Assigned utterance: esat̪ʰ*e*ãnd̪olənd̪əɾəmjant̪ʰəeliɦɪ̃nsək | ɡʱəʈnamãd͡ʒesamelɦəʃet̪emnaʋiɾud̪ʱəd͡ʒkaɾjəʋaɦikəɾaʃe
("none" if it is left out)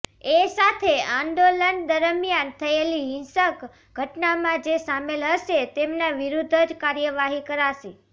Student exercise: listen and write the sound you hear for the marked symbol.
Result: e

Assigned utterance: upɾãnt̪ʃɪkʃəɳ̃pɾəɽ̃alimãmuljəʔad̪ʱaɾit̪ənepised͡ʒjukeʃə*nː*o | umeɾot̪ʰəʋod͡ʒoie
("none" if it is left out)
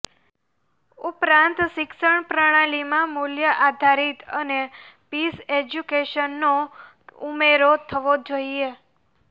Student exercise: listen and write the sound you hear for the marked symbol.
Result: nː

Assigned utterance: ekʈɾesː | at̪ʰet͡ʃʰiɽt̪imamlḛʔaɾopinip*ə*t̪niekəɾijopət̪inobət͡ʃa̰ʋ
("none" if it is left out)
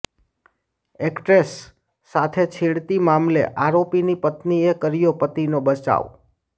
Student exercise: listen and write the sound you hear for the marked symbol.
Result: ə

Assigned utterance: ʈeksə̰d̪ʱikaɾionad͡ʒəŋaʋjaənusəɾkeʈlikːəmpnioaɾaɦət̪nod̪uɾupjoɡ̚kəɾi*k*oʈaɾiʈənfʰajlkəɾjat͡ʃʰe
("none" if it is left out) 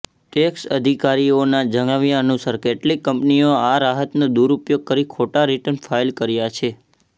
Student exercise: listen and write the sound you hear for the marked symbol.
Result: kʰ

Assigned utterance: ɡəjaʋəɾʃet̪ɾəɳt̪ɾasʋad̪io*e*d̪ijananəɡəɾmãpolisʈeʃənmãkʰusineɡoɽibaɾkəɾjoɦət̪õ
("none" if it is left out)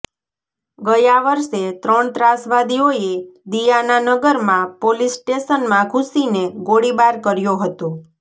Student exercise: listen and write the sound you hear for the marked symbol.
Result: e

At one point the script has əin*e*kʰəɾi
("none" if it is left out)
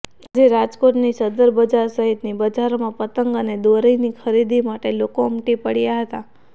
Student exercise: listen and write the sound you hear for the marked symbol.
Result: i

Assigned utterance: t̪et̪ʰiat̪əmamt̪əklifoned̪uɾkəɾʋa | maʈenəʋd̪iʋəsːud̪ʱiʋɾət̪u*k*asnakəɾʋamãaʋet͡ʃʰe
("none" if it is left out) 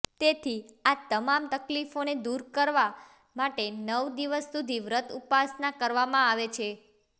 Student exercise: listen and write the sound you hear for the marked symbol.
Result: p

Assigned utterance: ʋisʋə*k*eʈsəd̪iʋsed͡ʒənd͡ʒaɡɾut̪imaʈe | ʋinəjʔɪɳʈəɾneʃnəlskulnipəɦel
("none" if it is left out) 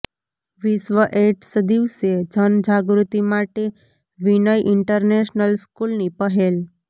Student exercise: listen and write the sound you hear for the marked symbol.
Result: ʔ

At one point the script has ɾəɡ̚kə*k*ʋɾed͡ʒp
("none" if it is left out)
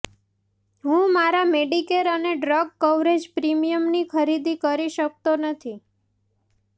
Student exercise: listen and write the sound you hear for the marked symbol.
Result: none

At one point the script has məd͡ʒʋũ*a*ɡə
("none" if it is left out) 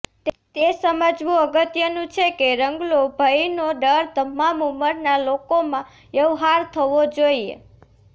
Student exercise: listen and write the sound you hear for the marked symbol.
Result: ə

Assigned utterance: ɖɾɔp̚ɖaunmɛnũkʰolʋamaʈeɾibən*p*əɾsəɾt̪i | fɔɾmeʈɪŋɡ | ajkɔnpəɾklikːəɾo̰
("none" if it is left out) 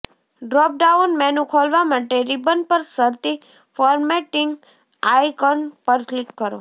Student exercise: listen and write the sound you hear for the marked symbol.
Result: p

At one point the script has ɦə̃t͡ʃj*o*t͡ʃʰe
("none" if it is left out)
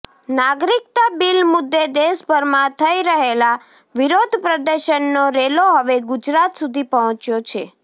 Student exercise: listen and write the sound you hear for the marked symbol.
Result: o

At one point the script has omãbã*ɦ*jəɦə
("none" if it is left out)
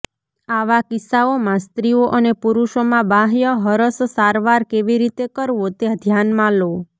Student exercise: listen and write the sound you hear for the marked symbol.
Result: ɦ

